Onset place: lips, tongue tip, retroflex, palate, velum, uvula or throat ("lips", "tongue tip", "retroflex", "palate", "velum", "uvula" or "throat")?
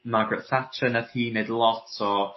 lips